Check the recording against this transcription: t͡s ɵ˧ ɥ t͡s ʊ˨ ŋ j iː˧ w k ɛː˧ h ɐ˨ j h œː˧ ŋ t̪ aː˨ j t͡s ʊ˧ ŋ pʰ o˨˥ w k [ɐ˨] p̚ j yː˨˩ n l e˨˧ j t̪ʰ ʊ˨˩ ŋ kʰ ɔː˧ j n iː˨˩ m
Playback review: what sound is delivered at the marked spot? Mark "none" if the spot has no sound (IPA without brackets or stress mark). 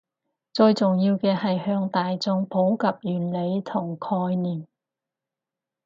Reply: ɐ˨